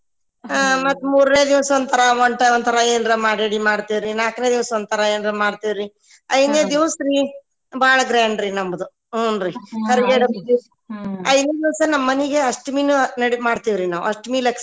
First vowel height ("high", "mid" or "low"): low